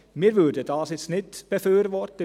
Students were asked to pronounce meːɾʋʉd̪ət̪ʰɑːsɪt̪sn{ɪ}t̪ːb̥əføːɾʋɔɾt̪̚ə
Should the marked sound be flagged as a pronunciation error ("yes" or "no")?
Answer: no